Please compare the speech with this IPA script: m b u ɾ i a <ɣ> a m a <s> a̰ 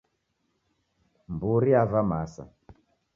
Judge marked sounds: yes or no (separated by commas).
no, yes